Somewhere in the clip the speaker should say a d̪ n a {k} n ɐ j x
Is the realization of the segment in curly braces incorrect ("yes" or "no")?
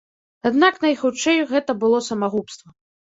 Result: no